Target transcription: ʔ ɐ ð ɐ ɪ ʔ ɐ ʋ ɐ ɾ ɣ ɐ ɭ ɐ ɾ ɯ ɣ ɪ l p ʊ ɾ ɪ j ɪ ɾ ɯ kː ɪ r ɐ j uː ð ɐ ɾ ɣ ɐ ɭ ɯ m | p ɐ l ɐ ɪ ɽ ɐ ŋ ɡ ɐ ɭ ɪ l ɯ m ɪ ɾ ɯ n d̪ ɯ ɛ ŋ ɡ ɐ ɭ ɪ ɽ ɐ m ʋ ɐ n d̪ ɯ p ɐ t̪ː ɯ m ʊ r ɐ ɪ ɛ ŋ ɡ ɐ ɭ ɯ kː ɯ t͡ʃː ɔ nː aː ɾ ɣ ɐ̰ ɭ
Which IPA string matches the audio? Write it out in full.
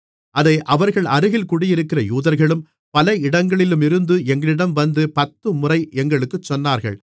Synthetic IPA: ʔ ɐ ð ɐ ɪ ʔ ɐ ʋ ɐ ɾ ɣ ɐ ɭ ɐ ɾ ɯ ɣ ɪ l k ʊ ɽ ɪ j ɪ ɾ ɯ kː ɪ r ɐ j uː ð ɐ ɾ ɣ ɐ ɭ ɯ m | p ɐ l ɐ ɪ ɽ ɐ ŋ ɡ ɐ ɭ ɪ l ɯ m ɪ ɾ ɯ n d̪ ɯ ɛ ŋ ɡ ɐ ɭ ɪ ɽ ɐ m ʋ ɐ n d̪ ɯ p ɐ t̪ː ɯ m ʊ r ɐ ɪ ɛ ŋ ɡ ɐ ɭ ɯ kː ɯ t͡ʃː ɔ nː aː ɾ ɣ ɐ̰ ɭ